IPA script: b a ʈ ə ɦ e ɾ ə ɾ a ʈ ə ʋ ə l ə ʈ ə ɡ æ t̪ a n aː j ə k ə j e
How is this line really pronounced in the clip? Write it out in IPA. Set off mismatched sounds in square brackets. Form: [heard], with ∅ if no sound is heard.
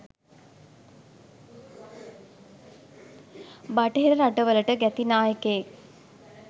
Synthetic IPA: b a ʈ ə ɦ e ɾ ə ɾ a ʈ ə ʋ ə l ə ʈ ə ɡ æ t̪ [i] n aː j ə k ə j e